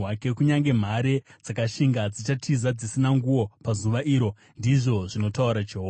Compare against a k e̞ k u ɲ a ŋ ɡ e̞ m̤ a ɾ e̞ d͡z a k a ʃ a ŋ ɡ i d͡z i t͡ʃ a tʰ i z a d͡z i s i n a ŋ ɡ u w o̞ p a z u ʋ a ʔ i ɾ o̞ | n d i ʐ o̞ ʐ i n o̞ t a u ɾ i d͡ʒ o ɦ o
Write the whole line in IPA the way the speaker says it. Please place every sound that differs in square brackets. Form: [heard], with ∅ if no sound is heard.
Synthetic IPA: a k e̞ k u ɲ a ŋ ɡ e̞ m̤ a ɾ e̞ d͡z a k a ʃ [i] ŋ ɡ [a] d͡z i t͡ʃ a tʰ i z a d͡z i s i n a ŋ ɡ u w o̞ p a z u ʋ a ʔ i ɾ o̞ | n d i ʐ o̞ ʐ i n o̞ t a u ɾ [a] d͡ʒ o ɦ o